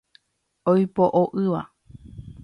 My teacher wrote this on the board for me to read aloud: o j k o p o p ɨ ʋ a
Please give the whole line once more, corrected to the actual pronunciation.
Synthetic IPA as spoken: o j p o ʔ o ʔ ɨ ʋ a